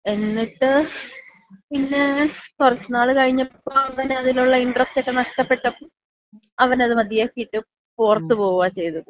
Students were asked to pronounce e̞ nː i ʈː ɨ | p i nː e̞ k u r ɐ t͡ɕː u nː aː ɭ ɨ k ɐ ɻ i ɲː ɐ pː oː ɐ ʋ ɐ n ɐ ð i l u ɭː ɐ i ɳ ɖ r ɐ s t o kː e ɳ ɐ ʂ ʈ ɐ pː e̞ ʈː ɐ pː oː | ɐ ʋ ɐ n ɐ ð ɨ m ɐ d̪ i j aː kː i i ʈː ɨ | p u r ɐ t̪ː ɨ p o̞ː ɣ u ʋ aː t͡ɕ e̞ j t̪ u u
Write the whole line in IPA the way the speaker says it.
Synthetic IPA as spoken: e̞ nː i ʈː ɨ | p i nː e̞ k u r ɐ t͡ɕː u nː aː ɭ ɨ k ɐ ɻ i ɲː ɐ pː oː ɐ ʋ ɐ n ɐ ð i l u ɭː ɐ i ɳ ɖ r ɐ s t o kː e n ɐ ʂ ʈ ɐ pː e̞ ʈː ɐ pː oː | ɐ ʋ ɐ n ɐ ð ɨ m ɐ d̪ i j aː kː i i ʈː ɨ | p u r ɐ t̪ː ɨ p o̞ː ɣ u ʋ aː t͡ɕ e̞ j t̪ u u